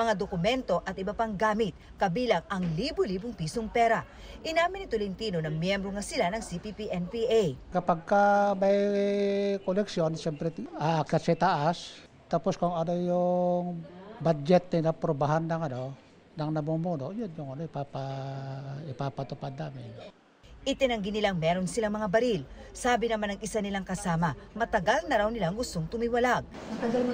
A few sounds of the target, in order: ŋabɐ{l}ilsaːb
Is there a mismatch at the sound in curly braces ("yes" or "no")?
yes